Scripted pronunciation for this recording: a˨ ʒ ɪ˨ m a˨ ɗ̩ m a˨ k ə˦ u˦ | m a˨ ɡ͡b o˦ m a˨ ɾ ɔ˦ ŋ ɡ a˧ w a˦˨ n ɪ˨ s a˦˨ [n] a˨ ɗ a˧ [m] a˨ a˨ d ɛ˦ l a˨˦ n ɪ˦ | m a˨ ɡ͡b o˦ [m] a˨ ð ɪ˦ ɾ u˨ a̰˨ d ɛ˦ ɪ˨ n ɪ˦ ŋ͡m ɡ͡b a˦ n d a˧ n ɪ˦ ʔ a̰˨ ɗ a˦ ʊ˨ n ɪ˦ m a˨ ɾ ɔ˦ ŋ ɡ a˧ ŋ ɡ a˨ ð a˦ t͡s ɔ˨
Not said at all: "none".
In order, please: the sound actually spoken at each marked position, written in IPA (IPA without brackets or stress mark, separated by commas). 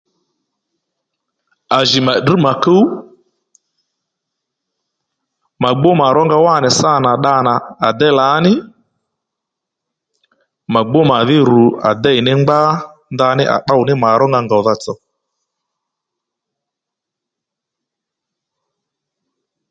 n, n, m